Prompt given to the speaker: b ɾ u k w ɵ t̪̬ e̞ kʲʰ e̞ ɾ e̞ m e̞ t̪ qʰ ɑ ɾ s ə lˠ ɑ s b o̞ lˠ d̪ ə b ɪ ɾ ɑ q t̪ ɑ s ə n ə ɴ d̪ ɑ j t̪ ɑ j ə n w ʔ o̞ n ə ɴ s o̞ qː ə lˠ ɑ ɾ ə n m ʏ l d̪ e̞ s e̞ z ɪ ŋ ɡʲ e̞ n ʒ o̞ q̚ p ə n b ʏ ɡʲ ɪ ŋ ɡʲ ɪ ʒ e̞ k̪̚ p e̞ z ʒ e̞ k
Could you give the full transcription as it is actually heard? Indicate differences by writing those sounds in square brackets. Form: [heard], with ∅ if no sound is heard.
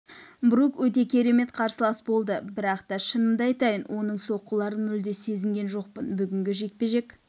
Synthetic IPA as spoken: b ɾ u k w ɵ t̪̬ e̞ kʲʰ e̞ ɾ e̞ m e̞ t̪ qʰ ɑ ɾ s ə lˠ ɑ s b o̞ lˠ d̪ ə b ɪ ɾ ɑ q t̪ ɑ [ʃ] ə n ə [m] d̪ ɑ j t̪ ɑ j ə n w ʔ o̞ n ə ɴ s o̞ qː ə lˠ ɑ ɾ ə n m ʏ l d̪ e̞ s e̞ z ɪ ŋ ɡʲ e̞ n ʒ o̞ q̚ p ə n b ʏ ɡʲ ɪ ŋ ɡʲ ɪ ʒ e̞ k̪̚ p e̞ [∅] ʒ e̞ k